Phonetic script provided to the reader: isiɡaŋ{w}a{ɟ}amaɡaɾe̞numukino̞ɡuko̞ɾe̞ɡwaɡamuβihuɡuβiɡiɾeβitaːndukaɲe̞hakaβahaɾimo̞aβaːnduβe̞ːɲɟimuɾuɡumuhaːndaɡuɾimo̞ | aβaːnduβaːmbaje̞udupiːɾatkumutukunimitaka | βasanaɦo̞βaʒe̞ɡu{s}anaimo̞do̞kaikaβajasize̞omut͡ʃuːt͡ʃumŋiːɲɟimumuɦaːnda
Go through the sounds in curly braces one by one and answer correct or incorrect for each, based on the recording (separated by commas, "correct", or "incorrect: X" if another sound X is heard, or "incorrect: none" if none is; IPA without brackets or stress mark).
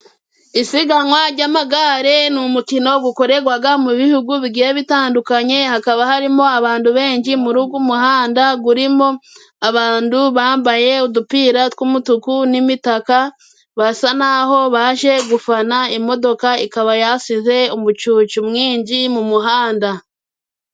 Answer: correct, correct, incorrect: f